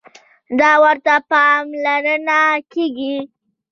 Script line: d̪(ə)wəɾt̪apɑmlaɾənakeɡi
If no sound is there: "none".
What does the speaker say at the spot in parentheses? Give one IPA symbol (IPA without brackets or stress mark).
ɑ